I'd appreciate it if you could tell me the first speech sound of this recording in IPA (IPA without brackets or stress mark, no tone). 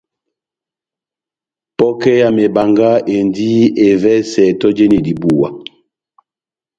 p